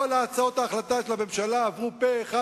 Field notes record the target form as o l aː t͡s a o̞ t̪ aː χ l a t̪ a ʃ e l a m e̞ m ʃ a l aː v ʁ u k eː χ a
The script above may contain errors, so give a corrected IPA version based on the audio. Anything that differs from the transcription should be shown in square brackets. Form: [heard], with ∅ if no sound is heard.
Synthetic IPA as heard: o l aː t͡s a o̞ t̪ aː χ l a t̪ a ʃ e l a m e̞ m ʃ a l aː v ʁ u [p] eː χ a